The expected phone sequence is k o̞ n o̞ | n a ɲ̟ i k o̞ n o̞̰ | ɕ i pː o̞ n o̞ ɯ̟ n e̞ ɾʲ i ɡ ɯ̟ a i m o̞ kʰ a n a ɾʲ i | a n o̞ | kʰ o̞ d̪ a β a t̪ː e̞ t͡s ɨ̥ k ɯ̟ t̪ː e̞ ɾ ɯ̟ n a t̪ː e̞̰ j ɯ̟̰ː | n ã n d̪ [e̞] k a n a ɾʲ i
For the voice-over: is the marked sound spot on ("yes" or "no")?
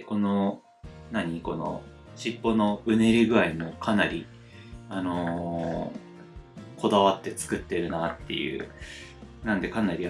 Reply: yes